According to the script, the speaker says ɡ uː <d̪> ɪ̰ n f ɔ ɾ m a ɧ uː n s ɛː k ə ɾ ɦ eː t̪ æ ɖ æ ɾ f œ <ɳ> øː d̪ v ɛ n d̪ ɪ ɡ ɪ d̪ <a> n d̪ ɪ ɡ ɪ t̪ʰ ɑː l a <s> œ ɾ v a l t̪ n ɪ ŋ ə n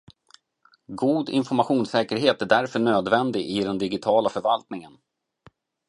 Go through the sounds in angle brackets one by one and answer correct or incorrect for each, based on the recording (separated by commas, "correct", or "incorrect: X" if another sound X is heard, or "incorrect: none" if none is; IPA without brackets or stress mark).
correct, correct, incorrect: ɛ, incorrect: f